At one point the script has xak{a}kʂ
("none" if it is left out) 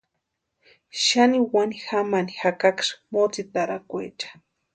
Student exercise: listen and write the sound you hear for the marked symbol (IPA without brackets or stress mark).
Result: a